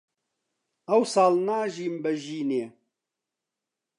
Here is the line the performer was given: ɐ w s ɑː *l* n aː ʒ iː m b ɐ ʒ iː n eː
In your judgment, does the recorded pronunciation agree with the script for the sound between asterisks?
yes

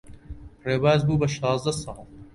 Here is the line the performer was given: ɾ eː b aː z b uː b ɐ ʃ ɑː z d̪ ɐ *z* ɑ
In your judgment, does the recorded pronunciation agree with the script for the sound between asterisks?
no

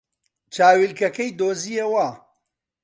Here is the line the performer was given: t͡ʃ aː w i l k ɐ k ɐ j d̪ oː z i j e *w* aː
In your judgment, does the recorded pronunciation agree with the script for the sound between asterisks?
yes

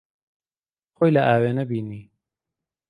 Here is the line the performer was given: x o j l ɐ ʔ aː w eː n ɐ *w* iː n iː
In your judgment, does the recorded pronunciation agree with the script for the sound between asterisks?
no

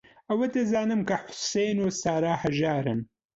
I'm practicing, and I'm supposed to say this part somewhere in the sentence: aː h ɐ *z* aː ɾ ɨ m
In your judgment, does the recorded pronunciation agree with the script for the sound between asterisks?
no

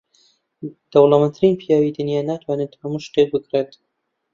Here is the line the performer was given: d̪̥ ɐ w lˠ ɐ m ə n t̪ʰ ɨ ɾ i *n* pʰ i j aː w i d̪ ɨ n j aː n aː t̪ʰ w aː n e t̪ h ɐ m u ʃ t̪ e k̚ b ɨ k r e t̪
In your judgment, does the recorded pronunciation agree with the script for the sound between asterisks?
yes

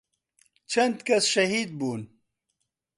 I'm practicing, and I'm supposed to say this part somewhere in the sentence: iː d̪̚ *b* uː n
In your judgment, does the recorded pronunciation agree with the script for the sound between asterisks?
yes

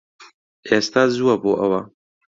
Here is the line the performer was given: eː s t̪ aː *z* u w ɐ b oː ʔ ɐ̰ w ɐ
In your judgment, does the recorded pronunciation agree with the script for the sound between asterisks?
yes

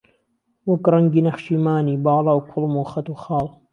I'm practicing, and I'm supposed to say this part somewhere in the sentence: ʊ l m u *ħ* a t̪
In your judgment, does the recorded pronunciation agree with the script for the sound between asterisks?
no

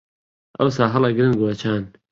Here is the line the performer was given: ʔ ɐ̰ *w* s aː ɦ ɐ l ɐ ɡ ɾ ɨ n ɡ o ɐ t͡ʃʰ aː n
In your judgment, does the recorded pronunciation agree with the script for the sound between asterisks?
yes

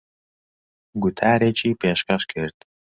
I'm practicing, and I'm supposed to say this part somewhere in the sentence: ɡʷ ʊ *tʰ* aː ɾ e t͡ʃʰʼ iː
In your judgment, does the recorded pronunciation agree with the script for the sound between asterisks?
yes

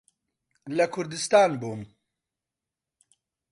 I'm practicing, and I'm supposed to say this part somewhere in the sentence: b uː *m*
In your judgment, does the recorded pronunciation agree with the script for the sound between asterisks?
yes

